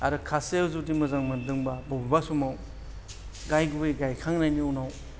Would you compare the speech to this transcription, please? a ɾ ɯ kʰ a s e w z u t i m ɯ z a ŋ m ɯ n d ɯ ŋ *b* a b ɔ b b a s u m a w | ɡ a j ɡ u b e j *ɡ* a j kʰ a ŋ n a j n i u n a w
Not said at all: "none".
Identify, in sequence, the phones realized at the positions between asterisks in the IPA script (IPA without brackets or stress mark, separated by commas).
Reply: b, ɡ